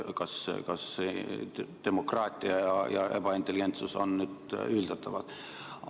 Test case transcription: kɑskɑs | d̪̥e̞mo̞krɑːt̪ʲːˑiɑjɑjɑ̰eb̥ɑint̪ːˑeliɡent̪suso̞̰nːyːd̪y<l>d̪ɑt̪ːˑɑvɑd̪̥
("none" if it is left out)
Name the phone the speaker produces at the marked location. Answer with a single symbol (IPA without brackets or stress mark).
l